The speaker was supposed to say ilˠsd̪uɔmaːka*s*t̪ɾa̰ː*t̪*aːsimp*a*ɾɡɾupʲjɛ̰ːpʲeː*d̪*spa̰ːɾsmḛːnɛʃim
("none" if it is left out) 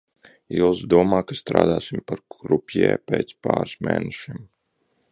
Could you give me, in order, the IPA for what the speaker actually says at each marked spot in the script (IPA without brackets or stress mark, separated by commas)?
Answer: s, d̪, a, t̪